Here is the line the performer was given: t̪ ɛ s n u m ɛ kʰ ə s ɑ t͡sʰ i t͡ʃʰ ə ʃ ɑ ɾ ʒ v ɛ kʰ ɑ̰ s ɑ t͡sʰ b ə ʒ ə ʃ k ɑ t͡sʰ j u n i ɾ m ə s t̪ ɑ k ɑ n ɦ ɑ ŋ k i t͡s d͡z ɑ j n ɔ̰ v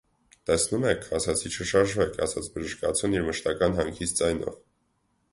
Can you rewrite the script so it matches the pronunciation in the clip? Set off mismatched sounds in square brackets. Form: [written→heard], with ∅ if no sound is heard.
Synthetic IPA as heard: t̪ ɛ s n u m ɛ kʰ [ə→ɑ] s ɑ t͡sʰ i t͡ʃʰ ə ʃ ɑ ɾ ʒ v ɛ kʰ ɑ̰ s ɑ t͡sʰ b ə ʒ ə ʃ k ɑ t͡sʰ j u n i ɾ m ə [s→ʃ] t̪ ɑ k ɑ n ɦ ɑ ŋ [k→kʰ] i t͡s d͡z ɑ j n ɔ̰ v